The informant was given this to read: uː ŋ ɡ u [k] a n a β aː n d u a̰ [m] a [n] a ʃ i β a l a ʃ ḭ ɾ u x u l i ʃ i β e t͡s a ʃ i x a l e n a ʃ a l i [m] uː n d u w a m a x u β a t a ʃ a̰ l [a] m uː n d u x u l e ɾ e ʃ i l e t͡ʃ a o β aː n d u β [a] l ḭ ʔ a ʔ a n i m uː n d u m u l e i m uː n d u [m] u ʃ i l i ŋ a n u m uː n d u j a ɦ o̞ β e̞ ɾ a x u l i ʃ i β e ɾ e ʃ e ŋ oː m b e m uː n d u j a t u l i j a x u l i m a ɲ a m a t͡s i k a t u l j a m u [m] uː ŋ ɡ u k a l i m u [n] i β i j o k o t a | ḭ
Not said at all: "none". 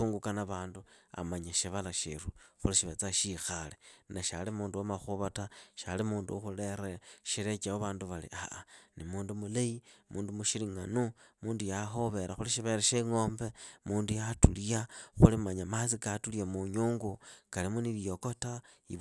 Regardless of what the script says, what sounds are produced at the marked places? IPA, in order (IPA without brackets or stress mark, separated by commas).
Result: k, m, ɲ, m, i, a, m, ɲ, n